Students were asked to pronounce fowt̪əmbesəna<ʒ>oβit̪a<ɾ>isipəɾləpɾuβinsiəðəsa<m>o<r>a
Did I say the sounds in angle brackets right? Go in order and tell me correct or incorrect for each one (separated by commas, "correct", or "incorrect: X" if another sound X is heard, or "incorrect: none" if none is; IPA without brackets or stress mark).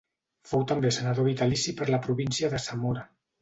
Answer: incorrect: ð, incorrect: l, correct, incorrect: ɾ